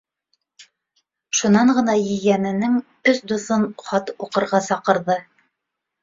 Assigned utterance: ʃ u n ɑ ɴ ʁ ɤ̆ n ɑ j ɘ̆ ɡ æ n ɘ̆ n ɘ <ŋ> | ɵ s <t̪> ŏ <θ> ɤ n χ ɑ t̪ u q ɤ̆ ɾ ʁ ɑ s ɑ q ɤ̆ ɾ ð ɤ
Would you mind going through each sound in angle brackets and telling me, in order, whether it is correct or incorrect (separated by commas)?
correct, incorrect, correct